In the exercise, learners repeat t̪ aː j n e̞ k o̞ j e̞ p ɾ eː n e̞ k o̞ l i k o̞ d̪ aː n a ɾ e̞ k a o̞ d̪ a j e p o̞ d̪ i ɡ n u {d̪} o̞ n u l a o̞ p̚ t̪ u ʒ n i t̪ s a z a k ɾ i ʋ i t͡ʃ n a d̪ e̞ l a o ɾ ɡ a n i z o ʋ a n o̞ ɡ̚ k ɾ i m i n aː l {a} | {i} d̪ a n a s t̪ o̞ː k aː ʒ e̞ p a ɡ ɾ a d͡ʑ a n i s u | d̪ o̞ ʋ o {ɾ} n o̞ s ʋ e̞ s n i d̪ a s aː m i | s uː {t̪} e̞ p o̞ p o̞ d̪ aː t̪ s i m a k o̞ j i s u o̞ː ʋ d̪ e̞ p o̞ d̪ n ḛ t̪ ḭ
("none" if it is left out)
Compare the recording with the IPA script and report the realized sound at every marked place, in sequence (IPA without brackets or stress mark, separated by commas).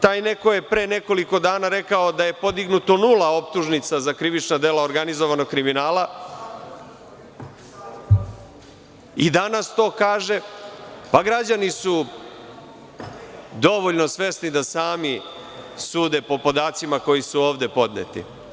t̪, a, i, ʎ, d̪